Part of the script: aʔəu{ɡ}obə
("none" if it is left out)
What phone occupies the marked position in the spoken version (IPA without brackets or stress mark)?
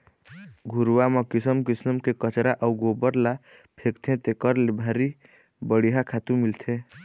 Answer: ɡ